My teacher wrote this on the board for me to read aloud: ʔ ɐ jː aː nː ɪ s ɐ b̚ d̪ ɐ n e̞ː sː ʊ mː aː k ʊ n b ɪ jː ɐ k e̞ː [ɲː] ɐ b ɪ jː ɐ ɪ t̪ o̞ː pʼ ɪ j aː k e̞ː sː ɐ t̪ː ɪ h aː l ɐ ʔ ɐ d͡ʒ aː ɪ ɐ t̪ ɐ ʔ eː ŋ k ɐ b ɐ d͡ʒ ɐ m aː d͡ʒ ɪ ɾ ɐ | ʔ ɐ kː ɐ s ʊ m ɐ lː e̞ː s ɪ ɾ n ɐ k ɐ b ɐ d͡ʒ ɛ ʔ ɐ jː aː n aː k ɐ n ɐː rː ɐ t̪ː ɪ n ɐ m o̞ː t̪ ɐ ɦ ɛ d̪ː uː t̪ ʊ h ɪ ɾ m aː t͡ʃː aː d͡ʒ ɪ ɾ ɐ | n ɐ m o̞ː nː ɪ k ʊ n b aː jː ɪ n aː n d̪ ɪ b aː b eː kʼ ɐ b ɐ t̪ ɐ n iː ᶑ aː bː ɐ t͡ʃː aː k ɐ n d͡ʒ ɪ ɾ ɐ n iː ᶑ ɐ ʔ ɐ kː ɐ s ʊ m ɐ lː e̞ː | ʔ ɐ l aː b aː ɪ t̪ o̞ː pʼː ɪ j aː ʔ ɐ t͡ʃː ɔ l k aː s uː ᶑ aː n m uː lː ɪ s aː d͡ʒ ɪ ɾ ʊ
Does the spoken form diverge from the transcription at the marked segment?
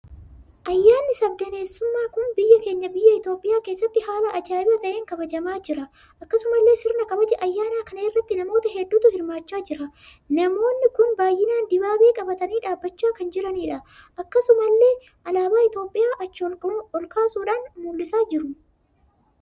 no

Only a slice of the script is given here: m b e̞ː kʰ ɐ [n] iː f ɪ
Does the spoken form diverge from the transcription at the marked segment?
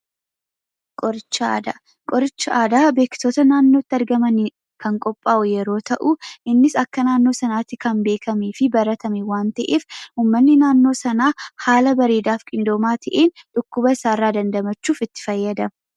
yes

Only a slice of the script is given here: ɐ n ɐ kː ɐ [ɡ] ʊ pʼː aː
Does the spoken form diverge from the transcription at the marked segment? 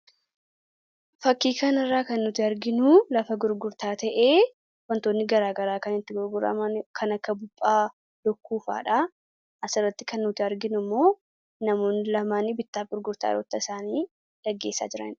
yes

